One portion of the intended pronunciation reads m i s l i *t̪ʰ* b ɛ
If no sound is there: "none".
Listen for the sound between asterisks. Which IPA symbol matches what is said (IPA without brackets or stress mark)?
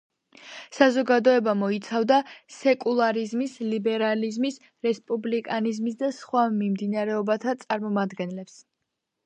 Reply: none